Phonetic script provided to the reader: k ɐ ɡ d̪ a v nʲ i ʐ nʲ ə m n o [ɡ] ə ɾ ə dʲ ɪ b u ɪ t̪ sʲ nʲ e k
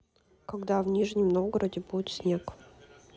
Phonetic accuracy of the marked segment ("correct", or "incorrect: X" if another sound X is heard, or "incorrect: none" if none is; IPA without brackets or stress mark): correct